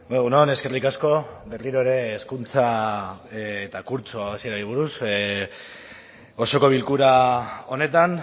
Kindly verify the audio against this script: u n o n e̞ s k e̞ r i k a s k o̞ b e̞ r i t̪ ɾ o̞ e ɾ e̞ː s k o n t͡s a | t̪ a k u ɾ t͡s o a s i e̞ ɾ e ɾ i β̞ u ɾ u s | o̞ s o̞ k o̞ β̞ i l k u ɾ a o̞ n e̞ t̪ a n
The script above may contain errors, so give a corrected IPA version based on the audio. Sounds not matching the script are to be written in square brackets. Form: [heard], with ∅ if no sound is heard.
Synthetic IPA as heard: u n o n e̞ s k e̞ r i k a s k o̞ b e̞ r i [∅] ɾ o̞ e ɾ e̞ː s k [u] n t͡s a | t̪ a k u ɾ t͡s o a s i e̞ ɾ [a] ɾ i β̞ u ɾ u s | o̞ s o̞ k o̞ β̞ i l k u ɾ a o̞ n e̞ t̪ a n